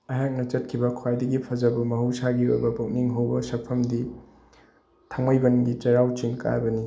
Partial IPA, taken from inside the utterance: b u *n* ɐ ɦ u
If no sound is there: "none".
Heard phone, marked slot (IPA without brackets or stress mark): m